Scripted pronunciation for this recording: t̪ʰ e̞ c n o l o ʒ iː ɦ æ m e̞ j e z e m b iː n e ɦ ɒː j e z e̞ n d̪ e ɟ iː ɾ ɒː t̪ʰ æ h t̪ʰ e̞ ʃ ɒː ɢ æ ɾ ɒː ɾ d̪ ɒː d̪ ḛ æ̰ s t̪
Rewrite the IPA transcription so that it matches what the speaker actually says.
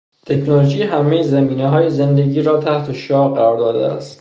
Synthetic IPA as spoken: t̪ʰ e̞ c n o l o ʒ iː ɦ æ m e̞ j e z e m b iː n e ɦ ɒː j e z e̞ n d̪ e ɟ iː ɾ ɒː t̪ʰ æ h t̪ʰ e̞ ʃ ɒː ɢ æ ɾ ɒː ɾ d̪ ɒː d̪ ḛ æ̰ s t̪